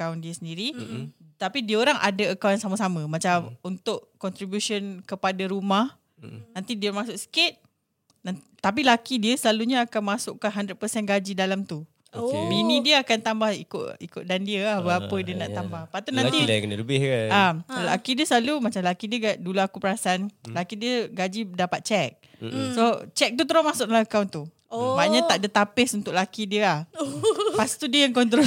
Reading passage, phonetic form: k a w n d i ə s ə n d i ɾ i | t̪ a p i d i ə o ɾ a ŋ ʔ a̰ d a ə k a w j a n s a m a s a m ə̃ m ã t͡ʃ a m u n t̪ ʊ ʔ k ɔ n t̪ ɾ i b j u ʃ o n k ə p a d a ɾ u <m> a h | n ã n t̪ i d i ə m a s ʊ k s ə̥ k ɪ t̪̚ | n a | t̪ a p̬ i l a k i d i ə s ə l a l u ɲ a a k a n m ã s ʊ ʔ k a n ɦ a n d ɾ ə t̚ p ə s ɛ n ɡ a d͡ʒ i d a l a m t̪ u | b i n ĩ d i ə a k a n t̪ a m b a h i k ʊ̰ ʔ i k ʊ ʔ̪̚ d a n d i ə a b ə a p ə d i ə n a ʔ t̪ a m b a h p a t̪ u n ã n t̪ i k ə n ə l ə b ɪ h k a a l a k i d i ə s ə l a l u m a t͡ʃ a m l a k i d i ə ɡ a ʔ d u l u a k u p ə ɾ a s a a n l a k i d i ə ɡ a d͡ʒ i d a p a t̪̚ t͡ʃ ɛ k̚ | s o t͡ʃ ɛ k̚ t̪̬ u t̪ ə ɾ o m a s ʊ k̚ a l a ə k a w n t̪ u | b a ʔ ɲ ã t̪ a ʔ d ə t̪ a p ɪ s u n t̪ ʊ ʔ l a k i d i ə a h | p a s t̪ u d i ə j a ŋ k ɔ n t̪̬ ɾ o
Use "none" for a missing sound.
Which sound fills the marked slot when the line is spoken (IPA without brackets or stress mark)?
m